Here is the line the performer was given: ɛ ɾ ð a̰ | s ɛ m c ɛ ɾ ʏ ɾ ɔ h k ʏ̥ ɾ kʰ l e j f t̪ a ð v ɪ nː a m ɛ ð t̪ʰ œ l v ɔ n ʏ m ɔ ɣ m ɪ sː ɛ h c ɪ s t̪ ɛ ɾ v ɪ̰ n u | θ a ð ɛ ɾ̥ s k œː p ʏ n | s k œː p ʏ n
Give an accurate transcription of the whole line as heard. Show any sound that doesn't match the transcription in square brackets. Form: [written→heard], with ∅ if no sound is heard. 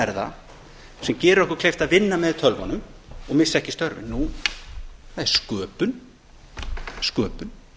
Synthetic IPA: ɛ ɾ ð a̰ | s ɛ m c [ɛ→ɛː] ɾ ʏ ɾ ɔ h k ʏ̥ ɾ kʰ l e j f t̪ a ð v ɪ nː a m ɛ ð t̪ʰ œ l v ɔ n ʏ m ɔ ɣ m ɪ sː ɛ h c ɪ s t̪ [ɛ→œ] ɾ v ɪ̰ n u | θ a ð ɛ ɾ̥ s k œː p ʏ n | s k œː p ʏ n

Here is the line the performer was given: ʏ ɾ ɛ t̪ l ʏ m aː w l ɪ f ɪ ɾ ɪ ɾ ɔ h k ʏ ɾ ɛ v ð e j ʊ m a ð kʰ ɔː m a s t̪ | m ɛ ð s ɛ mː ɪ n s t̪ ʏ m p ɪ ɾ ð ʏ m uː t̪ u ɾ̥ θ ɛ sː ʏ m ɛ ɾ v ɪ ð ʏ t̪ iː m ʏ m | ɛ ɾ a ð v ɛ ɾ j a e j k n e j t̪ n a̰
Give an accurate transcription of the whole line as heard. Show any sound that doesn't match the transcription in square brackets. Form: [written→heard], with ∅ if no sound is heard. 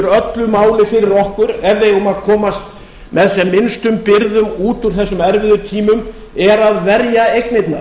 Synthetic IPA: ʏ ɾ [ɛ→œ] t̪ l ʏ m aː w l ɪ f ɪ ɾ ɪ ɾ ɔ h k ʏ ɾ ɛ v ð e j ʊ m a ð kʰ ɔː m a s t̪ | m ɛ ð s ɛ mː ɪ n s t̪ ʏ m p ɪ ɾ ð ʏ m uː t̪ u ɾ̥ θ ɛ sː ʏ m ɛ ɾ v ɪ ð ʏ [t̪→t̪ʰ] iː m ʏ m | ɛ ɾ a ð v ɛ ɾ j a e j k n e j t̪ n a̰

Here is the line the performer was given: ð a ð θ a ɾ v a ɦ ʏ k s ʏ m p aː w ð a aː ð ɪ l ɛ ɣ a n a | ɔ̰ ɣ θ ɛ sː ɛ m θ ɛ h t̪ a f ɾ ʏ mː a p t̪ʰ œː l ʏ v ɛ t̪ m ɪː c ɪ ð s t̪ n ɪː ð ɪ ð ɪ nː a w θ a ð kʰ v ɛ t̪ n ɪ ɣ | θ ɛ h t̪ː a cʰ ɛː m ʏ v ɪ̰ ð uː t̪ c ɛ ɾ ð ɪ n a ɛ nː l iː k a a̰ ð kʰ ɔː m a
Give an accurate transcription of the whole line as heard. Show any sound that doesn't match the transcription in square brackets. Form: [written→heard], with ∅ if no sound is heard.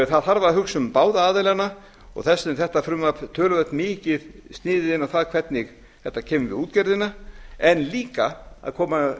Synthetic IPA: [ð→θ] a ð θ a ɾ v a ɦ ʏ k s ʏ m p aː w ð a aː ð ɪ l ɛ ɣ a n a | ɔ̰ ɣ θ ɛ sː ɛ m θ ɛ h t̪ a f ɾ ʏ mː a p t̪ʰ œː l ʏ v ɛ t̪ m ɪː c ɪ ð s t̪ n ɪː ð ɪ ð ɪ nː a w θ a ð kʰ v ɛ t̪ n ɪ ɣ | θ ɛ h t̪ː a cʰ ɛː m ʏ v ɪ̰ ð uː t̪ c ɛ ɾ ð ɪ n a ɛ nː l iː k a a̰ ð kʰ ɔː m a

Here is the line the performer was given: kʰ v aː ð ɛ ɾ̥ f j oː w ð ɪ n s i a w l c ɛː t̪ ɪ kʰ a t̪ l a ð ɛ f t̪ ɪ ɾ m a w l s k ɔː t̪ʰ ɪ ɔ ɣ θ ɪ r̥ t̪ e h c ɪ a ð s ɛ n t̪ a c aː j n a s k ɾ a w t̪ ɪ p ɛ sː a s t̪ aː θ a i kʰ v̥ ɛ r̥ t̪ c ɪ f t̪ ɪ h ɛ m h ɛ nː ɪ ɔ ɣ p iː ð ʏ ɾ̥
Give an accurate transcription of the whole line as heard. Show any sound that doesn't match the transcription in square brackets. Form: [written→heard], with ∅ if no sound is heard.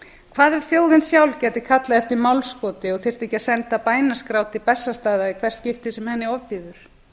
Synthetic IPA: kʰ v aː ð ɛ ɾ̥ f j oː w ð ɪ n s [i→j] a w l c ɛː t̪ ɪ kʰ a t̪ l a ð ɛ f t̪ ɪ ɾ m a w l s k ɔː [t̪ʰ→t̪] ɪ ɔ ɣ θ ɪ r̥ t̪ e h c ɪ a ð s ɛ n t̪ a [c→p] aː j n a s k ɾ a w t̪ ɪ p ɛ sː a s t̪ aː [θ→ð] a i kʰ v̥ ɛ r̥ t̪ c ɪ f t̪ ɪ [h→s] ɛ m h ɛ nː ɪ ɔ [ɣ→v] p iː ð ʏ ɾ̥

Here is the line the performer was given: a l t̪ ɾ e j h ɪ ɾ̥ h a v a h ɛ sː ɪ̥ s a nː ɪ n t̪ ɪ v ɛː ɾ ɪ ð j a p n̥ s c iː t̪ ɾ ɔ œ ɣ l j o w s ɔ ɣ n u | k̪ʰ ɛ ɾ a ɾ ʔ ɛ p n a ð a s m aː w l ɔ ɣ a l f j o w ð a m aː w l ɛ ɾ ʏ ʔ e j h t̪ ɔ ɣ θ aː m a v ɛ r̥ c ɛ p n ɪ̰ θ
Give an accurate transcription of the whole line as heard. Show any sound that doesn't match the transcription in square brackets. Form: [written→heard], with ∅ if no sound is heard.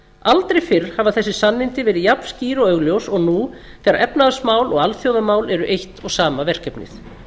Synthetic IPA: a l t̪ ɾ e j [h→f] ɪ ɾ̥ h a v a [h→θ] ɛ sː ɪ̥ s a nː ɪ n t̪ ɪ v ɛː ɾ ɪ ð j a p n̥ s c iː [t̪→∅] ɾ ɔ œ ɣ l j o w s ɔ ɣ n u | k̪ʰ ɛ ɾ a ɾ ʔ ɛ p n a ð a s m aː w l ɔ ɣ a l [f→θ] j o w ð a m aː w l ɛ ɾ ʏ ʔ e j h t̪ ɔ ɣ [θ→s] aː m a v ɛ r̥ c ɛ p n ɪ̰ θ

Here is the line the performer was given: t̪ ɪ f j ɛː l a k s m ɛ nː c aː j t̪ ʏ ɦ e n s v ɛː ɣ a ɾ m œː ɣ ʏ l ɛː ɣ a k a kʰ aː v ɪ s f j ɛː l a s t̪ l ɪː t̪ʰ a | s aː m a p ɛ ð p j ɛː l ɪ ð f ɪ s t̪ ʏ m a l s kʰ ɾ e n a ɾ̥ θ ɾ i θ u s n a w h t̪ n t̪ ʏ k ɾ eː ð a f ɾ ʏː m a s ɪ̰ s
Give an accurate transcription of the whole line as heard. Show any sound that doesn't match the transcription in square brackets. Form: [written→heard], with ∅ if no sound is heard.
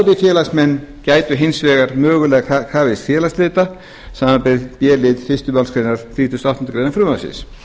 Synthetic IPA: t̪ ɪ f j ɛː l a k s m ɛ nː c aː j t̪ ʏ ɦ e n s v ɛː ɣ a ɾ m œː ɣ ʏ l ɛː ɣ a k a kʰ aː v ɪ s f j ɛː l a s t̪ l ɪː [t̪ʰ→t̪] a | s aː m a p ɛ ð p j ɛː l ɪ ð f ɪ s t̪ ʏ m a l s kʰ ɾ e n a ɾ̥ θ ɾ i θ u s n a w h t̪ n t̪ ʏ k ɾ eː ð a f ɾ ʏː m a s ɪ̰ s

